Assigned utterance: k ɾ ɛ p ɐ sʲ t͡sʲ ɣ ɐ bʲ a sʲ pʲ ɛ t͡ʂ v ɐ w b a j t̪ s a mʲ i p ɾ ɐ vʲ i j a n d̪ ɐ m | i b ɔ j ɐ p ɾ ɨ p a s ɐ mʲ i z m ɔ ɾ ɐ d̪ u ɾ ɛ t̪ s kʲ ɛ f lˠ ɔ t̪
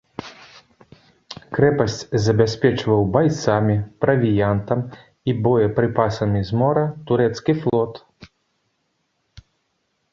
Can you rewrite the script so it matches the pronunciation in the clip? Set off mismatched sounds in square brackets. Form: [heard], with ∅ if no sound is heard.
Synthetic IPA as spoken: k ɾ ɛ p ɐ sʲ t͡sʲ [z] ɐ bʲ a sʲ pʲ ɛ t͡ʂ v ɐ w b a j t̪ s a mʲ i p ɾ ɐ vʲ i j a n [t̪] ɐ m | i b ɔ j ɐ p ɾ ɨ p a s ɐ mʲ i z m ɔ ɾ ɐ [t̪] u ɾ ɛ t̪ s kʲ [i] f lˠ ɔ t̪